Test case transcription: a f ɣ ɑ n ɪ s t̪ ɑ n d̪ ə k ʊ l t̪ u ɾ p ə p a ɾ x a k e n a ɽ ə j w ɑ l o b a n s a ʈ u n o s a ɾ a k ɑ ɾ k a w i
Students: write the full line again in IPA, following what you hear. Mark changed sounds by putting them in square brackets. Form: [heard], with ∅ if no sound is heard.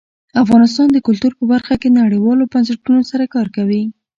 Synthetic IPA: a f ɣ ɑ n ɪ s t̪ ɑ n d̪ ə k ʊ l t̪ u ɾ p ə [b] a ɾ x a k e n a ɽ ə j w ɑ l o b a n s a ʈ u n o s a ɾ a k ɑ ɾ k a w i